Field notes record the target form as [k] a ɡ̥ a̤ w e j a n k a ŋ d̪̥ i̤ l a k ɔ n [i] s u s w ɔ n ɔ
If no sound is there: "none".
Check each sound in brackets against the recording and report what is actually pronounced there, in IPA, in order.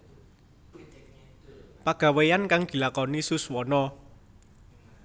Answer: p, i

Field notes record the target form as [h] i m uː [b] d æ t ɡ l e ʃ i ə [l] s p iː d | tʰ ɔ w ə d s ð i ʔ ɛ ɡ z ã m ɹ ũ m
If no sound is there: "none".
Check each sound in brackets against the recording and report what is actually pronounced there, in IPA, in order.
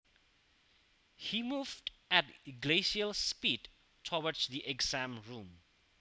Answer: h, v, l

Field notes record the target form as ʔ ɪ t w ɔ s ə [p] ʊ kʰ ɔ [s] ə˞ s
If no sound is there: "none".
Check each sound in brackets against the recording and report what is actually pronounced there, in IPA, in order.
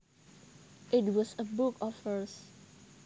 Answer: b, f

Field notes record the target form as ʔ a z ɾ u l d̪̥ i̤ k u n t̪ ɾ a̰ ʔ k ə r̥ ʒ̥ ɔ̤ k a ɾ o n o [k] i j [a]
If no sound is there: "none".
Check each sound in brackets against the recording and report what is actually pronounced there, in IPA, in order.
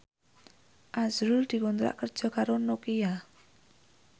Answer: k, a

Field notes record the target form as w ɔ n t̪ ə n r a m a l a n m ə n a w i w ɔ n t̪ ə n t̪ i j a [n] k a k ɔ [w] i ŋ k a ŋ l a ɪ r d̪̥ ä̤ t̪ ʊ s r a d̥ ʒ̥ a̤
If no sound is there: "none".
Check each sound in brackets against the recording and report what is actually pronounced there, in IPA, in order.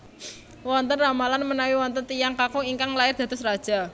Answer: ŋ, none

